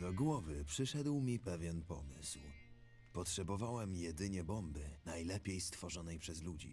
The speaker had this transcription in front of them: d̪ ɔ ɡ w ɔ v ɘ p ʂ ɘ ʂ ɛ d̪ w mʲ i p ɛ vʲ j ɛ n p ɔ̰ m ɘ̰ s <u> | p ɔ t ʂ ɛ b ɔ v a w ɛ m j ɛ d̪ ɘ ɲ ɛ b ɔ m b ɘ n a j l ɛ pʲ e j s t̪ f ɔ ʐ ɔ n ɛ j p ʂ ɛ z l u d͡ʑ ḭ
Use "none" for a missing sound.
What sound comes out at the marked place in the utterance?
w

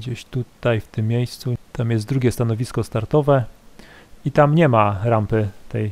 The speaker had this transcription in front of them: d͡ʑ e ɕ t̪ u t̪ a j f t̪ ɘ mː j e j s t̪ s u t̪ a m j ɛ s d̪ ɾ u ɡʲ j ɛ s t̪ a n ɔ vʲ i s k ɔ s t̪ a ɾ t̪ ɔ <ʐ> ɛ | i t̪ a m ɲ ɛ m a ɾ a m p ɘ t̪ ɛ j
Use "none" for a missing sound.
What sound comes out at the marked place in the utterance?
v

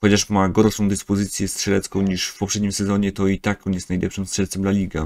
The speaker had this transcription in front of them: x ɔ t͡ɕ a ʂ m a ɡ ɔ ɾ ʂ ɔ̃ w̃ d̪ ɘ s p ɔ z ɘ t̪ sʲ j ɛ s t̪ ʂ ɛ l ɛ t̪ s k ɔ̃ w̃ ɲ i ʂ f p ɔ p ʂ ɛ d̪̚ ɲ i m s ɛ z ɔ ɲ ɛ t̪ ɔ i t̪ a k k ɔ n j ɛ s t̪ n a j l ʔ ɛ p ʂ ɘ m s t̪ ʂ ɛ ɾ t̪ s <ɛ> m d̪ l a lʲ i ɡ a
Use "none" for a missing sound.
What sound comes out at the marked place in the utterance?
ɛ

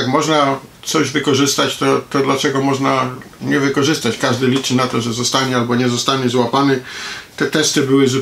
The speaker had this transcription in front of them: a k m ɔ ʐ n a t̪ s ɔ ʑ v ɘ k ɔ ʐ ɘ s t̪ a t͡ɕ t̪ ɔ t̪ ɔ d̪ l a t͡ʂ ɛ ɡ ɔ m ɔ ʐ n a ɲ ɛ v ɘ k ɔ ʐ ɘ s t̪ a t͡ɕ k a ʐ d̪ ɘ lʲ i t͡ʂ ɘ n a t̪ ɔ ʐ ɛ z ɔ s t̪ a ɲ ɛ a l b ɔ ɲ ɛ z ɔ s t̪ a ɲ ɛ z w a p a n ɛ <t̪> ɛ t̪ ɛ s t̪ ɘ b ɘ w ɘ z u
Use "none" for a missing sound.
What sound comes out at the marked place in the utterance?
t̪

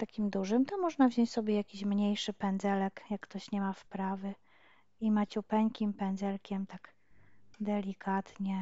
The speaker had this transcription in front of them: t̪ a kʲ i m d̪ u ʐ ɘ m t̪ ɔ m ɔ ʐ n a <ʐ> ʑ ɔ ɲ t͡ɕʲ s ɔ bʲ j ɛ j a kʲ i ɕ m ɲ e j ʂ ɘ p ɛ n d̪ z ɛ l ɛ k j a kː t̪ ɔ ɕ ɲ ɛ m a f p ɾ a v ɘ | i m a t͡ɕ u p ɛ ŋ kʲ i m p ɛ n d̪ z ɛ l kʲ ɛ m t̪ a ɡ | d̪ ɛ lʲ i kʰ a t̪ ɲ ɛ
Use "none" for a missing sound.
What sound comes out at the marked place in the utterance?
v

